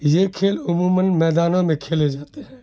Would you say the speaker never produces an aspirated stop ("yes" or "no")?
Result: no